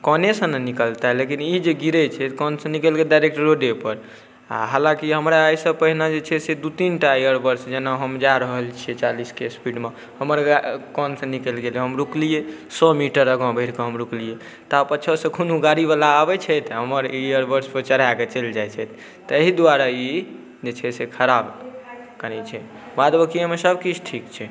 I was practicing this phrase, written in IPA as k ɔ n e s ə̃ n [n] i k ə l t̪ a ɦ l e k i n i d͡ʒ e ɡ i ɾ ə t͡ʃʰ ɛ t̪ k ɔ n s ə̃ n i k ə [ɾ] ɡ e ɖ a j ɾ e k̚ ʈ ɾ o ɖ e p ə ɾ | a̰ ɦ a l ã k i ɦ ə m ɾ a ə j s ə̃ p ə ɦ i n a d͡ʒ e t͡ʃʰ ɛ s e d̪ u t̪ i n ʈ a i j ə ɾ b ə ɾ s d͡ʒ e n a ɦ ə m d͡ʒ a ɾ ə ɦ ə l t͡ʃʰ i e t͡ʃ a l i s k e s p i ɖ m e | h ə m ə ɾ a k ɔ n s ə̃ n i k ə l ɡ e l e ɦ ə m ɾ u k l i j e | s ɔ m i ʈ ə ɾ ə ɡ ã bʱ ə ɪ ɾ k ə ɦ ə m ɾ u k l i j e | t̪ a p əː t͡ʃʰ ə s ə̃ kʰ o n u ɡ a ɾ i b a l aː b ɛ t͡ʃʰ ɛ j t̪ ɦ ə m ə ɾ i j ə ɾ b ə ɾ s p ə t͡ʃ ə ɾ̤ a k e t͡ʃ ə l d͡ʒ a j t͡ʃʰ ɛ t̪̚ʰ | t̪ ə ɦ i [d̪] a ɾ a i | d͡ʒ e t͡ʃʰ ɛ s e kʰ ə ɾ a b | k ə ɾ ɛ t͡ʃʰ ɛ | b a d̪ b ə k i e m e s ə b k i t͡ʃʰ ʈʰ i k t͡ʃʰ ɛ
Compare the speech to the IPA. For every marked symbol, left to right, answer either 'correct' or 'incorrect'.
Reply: correct, incorrect, correct

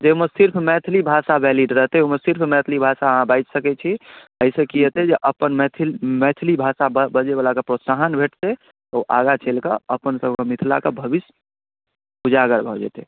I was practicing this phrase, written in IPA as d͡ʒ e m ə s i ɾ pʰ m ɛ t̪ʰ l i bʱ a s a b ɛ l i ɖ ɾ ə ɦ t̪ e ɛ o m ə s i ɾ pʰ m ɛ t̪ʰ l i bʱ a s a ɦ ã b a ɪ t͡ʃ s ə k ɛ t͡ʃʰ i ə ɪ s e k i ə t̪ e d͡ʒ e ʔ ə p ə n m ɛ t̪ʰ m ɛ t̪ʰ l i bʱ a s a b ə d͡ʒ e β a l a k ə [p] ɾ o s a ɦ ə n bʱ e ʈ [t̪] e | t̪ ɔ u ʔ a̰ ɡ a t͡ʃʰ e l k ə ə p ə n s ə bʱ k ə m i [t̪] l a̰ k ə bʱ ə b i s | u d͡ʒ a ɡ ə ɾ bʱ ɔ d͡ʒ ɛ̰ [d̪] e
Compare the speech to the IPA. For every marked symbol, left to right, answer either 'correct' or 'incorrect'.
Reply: correct, correct, incorrect, incorrect

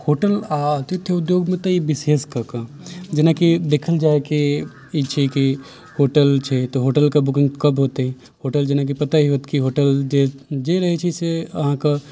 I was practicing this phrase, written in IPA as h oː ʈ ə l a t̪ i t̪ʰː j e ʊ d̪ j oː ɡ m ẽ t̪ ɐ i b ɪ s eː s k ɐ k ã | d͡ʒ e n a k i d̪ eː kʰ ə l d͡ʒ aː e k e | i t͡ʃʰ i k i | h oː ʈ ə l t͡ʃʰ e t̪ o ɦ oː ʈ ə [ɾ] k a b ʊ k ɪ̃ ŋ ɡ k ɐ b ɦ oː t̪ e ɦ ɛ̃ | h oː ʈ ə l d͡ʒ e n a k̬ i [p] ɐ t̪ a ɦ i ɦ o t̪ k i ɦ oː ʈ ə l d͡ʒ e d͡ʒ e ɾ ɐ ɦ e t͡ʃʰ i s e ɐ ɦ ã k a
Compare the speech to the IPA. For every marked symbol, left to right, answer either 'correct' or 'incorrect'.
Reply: incorrect, correct

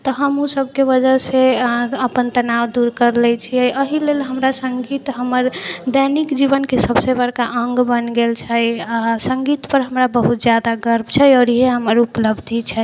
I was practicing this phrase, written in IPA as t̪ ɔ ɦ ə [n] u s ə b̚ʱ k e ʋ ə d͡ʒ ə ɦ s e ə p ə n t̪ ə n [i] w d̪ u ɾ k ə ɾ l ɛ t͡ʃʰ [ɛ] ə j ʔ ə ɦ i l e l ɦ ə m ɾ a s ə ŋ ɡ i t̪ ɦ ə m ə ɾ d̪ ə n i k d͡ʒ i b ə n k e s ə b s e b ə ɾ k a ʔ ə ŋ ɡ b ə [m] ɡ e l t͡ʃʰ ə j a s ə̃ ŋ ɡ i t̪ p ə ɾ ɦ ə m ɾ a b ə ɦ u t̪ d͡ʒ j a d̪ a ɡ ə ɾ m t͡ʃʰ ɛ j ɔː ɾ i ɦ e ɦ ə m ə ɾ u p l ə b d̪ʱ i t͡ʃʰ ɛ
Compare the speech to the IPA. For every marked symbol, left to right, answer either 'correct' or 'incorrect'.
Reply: incorrect, incorrect, incorrect, incorrect

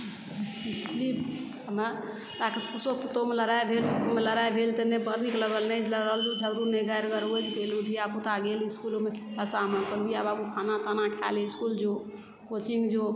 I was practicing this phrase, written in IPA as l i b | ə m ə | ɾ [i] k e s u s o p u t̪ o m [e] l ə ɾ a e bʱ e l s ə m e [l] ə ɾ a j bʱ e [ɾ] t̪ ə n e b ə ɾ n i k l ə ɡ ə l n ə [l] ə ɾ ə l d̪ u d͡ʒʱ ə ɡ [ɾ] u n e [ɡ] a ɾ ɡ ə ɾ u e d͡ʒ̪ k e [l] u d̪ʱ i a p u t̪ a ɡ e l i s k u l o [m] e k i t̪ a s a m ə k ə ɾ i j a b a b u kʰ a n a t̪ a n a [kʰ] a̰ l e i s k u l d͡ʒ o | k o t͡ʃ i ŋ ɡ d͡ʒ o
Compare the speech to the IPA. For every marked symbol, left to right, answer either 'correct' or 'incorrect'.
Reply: incorrect, correct, correct, incorrect, correct, correct, correct, correct, correct, correct

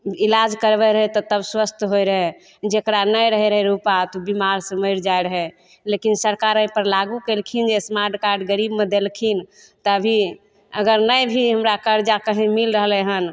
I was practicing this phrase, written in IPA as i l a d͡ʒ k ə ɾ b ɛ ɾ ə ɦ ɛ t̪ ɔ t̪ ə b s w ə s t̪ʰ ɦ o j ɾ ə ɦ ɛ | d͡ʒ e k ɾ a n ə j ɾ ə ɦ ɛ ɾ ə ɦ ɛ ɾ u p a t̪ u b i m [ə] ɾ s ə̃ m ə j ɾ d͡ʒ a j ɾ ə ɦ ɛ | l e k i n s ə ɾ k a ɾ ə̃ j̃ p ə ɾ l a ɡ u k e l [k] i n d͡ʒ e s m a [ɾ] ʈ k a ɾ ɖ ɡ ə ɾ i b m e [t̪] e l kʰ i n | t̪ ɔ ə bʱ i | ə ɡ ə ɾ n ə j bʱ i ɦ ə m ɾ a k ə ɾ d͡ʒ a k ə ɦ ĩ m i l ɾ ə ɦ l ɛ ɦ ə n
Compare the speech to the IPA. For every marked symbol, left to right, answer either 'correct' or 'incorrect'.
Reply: incorrect, incorrect, correct, incorrect

